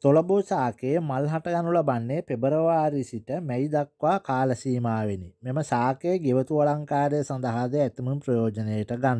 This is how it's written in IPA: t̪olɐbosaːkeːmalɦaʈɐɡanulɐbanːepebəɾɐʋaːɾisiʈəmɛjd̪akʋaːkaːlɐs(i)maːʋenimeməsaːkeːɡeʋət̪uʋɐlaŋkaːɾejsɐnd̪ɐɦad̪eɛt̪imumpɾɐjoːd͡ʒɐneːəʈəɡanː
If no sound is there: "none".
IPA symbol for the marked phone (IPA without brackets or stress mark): iː